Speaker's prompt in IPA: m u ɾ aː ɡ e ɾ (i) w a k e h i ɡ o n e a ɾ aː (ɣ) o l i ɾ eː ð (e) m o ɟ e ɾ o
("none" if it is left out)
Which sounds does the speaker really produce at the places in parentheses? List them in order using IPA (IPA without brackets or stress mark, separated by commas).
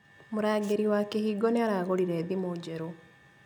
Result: i, ɣ, i